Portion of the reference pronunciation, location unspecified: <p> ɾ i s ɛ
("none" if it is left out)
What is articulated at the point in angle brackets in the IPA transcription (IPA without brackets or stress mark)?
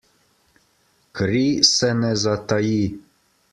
k